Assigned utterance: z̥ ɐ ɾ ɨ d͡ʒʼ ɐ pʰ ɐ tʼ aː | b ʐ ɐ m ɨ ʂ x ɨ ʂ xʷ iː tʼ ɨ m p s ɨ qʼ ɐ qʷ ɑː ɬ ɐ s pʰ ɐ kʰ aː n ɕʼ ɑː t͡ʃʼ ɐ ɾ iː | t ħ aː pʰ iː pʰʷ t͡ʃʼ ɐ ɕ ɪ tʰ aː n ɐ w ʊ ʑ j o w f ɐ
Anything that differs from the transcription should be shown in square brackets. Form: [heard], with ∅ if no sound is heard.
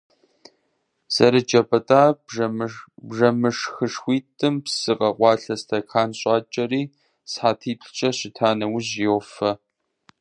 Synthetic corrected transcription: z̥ ɐ ɾ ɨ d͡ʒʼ ɐ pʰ ɐ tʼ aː | b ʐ ɐ m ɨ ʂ x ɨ ʂ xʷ iː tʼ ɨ m p s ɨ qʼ ɐ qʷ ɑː ɬ ɐ s [tʰ] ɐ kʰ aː n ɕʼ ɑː t͡ʃʼ ɐ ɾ iː | [s] ħ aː [tʰ] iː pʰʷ t͡ʃʼ ɐ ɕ ɪ tʰ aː n ɐ w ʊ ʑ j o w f ɐ